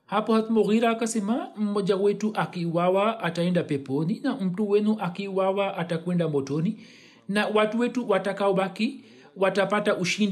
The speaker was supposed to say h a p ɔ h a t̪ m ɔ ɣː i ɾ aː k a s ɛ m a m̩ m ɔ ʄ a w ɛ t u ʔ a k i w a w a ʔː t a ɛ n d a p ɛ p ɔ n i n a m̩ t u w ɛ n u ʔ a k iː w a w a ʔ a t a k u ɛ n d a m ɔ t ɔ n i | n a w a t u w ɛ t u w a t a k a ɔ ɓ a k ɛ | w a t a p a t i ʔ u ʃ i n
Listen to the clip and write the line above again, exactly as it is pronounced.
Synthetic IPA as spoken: h a p ɔ h a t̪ m ɔ ɣ i ɾ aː k a s ɛ m a m̩ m ɔ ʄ a w ɛ t u ʔ a k i w a w a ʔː t a ɛ n d a p ɛ p ɔ n i n a m̩ t u w ɛ n u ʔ a k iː w a w a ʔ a t a k w ɛ n d a m ɔ t ɔ n i | n a w a t u w ɛ t u w a t a k a ɔ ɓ a k i | w a t a p a t a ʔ u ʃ i n